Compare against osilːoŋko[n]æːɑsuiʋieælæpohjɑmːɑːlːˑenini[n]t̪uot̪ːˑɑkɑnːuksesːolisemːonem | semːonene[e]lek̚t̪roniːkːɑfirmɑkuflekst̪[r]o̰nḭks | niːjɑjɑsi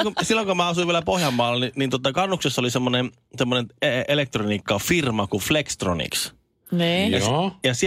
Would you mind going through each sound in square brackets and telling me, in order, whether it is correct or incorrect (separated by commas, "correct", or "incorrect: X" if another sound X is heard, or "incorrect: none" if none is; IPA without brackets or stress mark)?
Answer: incorrect: m, correct, correct, correct